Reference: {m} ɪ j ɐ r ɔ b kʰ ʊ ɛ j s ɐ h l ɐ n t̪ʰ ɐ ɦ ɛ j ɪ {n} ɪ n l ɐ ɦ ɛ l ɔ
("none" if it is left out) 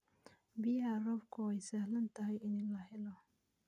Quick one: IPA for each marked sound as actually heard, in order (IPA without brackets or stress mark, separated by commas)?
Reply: b, n